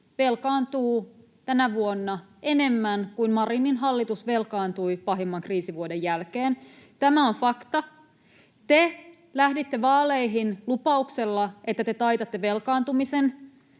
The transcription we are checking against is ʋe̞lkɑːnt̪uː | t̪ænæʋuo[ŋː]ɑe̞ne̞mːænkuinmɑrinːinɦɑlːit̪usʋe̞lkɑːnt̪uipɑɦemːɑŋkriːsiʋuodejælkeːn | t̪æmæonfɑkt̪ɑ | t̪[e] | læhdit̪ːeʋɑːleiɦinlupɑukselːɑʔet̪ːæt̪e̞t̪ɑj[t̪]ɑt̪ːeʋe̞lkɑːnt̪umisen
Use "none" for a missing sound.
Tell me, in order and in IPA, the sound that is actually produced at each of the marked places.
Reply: nː, e, t̪

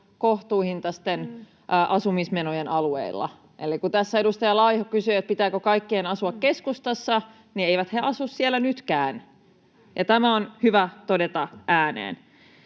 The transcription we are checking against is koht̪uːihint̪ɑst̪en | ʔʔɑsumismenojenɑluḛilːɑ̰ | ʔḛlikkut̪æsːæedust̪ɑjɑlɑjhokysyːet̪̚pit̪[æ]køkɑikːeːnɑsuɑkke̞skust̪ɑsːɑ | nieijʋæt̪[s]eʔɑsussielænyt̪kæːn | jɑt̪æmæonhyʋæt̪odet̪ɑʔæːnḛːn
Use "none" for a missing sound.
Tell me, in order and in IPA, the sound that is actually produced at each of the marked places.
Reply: æː, h

